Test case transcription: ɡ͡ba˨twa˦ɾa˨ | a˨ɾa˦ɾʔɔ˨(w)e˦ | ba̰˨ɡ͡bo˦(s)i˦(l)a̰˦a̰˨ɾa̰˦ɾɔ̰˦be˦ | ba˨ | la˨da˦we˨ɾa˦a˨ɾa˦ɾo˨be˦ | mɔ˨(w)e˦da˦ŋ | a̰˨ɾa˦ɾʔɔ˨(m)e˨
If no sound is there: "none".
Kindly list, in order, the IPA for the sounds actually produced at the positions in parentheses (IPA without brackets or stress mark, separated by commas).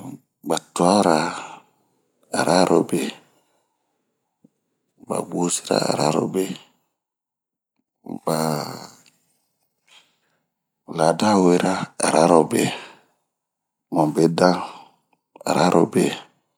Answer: b, s, ɾ, b, b